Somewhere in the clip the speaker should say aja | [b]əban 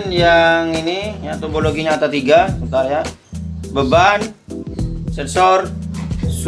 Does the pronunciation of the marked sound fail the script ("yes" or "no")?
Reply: no